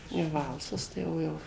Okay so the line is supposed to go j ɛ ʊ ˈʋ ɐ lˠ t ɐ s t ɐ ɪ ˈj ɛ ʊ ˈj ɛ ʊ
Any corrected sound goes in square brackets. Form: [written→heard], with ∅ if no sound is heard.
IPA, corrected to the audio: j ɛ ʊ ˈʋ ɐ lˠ [t→s] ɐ s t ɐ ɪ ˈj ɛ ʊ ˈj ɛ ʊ